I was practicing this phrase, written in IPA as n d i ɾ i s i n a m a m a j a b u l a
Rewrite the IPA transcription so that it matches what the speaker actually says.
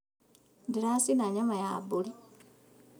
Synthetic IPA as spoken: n d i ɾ a s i n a ɲ a m a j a b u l i